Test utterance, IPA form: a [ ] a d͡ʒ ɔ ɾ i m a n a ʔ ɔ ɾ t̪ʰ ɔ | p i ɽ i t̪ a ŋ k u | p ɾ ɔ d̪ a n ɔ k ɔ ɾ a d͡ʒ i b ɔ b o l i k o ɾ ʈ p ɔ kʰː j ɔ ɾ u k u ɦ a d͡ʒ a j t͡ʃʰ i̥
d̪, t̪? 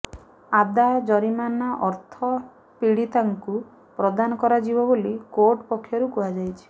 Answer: d̪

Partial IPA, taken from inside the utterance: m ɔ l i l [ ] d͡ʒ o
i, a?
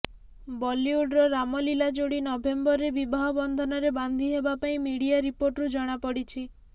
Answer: a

